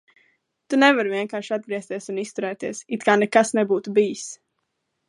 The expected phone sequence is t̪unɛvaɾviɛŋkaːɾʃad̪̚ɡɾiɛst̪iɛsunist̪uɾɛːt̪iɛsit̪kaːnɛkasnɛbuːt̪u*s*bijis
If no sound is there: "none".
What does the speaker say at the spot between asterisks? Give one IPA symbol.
none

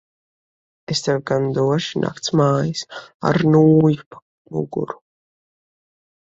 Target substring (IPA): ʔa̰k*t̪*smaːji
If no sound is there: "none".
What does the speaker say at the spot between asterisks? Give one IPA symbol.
t̪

